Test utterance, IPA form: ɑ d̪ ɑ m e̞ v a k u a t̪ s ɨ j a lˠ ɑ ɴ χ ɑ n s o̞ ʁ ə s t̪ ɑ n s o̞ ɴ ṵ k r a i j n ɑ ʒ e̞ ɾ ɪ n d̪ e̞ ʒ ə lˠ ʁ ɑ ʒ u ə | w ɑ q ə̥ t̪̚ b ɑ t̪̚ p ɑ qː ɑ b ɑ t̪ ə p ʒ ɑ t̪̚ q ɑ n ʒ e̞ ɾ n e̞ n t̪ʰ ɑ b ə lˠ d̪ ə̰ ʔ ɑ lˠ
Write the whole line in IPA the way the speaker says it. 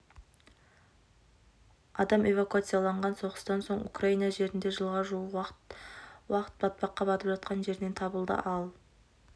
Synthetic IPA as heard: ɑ d̪ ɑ m e̞ v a k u a t̪ s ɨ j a lˠ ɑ ɴ ʁ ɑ n s o̞ ʁ ə s t̪ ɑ n s o̞ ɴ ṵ k r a i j n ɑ ʒ e̞ ɾ ɪ n d̪ e̞ ʒ ə lˠ ʁ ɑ ʒ u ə | w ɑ q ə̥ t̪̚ b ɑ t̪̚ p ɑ qː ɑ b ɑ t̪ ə p ʒ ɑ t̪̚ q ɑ n ʒ e̞ ɾ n e̞ n t̪ʰ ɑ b ə lˠ d̪ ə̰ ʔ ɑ lˠ